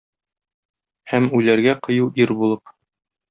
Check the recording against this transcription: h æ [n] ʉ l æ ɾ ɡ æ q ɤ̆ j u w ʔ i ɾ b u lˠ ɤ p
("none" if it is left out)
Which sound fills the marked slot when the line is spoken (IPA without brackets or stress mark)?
m